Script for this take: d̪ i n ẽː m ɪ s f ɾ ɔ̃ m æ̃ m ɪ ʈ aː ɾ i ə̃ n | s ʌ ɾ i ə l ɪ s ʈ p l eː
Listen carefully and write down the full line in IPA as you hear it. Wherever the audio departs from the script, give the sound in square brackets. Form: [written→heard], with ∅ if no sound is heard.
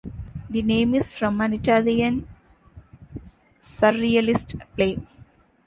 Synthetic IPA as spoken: d̪ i n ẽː m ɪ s f ɾ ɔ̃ m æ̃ [m→n] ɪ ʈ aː [ɾ→l] i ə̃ n | s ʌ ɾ i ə l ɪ s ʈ p l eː